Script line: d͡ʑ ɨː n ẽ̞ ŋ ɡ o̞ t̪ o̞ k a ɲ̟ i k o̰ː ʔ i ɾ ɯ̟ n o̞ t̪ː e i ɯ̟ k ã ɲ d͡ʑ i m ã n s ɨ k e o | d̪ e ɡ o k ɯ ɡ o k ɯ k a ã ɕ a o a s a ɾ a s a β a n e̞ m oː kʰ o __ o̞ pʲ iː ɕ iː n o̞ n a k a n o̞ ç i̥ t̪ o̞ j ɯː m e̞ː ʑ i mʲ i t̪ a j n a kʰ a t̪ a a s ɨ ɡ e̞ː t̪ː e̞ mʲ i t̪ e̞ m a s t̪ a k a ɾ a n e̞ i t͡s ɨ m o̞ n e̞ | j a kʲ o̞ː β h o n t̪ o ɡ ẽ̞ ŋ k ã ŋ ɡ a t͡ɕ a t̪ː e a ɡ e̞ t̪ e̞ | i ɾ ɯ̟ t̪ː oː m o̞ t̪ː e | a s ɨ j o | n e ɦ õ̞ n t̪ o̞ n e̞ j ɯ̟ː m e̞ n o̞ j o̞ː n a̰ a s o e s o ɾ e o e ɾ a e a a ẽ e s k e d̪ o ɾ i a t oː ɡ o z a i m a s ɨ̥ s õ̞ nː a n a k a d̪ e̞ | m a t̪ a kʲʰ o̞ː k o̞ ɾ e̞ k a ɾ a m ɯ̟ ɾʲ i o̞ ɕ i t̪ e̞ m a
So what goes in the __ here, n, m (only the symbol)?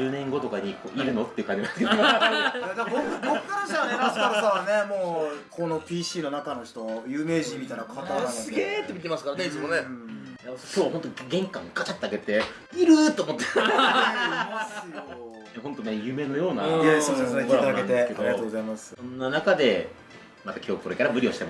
n